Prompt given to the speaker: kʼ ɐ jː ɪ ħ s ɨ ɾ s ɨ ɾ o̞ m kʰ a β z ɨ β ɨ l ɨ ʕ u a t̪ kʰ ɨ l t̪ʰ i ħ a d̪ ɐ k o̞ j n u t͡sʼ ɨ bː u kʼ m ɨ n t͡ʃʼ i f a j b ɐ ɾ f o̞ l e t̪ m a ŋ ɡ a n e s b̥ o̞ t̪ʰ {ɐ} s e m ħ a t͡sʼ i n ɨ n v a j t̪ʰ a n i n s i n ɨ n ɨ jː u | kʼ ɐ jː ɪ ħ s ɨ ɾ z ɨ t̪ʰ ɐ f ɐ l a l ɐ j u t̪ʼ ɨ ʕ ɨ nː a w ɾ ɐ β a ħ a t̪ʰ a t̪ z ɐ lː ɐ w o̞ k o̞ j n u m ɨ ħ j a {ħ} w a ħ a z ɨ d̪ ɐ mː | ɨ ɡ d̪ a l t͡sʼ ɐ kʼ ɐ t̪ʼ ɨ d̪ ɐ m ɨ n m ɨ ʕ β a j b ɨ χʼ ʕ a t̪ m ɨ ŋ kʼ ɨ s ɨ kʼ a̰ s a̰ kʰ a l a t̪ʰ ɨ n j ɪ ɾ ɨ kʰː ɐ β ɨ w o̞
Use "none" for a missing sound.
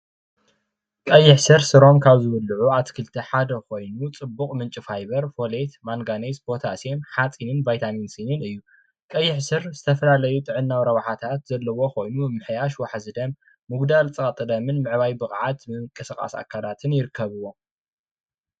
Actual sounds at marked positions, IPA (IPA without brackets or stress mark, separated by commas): a, ʃ